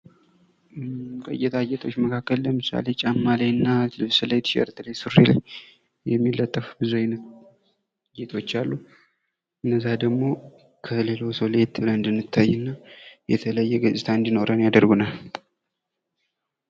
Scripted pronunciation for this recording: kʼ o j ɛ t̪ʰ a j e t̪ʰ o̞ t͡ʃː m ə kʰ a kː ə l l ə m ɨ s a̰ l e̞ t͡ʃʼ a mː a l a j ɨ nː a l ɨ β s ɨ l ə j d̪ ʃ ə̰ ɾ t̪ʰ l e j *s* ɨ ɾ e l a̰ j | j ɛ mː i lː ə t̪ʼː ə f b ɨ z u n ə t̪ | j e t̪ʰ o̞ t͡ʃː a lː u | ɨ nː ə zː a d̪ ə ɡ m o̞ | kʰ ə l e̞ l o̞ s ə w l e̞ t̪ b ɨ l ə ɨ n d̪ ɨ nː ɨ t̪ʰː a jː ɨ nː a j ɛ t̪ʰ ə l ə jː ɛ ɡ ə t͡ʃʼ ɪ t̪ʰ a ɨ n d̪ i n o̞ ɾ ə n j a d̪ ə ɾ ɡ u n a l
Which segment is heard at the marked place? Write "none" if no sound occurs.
s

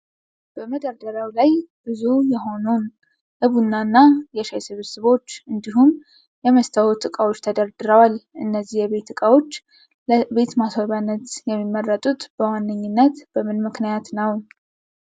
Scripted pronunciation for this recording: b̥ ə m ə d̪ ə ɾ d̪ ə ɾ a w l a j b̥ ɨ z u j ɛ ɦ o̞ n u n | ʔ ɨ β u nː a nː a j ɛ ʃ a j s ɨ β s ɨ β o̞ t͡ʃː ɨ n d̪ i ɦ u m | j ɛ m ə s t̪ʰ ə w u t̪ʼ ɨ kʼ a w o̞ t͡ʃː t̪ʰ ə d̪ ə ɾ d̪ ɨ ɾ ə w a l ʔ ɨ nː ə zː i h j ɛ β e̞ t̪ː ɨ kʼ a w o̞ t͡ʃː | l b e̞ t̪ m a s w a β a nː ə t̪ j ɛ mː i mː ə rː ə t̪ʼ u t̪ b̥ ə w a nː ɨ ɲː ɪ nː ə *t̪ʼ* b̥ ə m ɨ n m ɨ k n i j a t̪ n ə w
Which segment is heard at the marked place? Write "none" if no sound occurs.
t̪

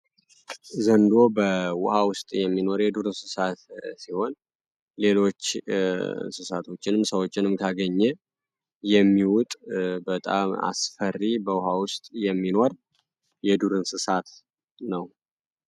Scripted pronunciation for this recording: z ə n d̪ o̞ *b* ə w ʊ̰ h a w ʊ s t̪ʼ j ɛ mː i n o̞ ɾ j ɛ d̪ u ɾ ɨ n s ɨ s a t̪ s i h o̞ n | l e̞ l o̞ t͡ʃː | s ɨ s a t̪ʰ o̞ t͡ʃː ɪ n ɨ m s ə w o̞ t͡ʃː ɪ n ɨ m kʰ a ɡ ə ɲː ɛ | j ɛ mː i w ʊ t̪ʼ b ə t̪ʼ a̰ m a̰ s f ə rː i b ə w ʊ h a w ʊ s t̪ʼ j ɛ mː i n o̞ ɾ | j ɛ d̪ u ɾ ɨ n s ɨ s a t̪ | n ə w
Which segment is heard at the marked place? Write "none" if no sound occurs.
b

